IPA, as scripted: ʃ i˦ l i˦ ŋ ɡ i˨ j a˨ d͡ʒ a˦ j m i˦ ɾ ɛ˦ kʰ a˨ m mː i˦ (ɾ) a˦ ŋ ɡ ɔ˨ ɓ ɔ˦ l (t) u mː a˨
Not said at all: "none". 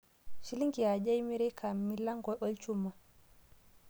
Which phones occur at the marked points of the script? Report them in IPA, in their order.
l, t͡ʃ

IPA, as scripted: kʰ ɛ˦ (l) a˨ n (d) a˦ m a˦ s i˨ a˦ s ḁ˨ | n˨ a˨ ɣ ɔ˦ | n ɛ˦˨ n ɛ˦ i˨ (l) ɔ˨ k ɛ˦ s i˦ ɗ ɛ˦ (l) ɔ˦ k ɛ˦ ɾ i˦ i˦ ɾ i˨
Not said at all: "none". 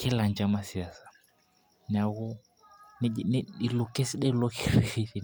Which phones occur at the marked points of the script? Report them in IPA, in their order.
l, d͡ʒ, l, l

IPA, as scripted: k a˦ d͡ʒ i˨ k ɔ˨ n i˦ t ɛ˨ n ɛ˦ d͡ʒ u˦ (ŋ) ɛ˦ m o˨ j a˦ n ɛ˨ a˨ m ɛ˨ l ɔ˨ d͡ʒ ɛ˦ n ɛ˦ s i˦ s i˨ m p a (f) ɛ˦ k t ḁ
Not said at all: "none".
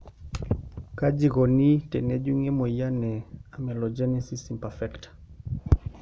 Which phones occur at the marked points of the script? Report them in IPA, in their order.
ŋ, f

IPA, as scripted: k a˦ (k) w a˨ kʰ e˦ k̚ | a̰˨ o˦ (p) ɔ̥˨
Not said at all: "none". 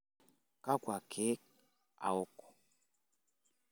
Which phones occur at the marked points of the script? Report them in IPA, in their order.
k, k

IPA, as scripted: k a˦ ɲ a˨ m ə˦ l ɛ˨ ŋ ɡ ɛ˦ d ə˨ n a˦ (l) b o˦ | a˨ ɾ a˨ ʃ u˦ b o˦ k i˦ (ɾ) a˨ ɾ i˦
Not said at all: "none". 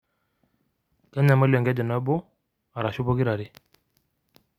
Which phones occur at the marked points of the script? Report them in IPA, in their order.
none, ɾ

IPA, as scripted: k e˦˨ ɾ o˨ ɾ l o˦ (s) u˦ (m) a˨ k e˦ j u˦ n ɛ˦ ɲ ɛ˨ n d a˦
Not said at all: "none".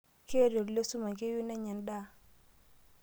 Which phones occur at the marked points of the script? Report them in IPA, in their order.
s, m

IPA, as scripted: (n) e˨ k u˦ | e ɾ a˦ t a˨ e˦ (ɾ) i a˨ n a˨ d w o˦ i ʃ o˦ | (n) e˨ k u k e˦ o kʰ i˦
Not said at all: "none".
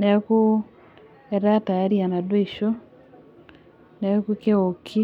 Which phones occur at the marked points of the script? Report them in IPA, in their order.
n, ɾ, n

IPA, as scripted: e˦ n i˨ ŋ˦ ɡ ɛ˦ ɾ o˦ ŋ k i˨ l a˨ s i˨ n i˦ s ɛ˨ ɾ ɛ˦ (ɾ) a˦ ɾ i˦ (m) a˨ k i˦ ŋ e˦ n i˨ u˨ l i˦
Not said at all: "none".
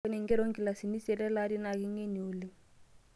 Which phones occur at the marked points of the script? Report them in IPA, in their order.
l, n

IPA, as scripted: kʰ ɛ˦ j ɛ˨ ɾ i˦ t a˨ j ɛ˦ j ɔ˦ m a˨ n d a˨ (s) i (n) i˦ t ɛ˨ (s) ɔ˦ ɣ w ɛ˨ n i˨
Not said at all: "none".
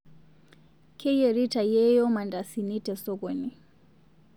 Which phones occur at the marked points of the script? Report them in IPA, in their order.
s, n, s

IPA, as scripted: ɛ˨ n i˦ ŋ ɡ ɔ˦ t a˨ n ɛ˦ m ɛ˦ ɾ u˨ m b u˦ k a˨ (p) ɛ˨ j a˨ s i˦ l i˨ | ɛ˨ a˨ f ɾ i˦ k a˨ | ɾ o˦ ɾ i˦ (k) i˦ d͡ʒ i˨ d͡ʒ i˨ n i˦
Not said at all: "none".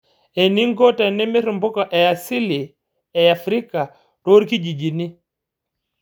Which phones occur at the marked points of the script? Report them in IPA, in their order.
ʔ, k

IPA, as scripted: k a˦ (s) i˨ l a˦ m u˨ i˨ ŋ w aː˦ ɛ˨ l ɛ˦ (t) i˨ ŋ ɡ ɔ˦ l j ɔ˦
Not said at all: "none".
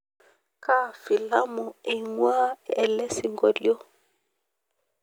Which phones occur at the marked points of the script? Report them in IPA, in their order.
f, s

